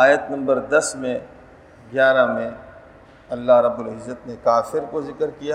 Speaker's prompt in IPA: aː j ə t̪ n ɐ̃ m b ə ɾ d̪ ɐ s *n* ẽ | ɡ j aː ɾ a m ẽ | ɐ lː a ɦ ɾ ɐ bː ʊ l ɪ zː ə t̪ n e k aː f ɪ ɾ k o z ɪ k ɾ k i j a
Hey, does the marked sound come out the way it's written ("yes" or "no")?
no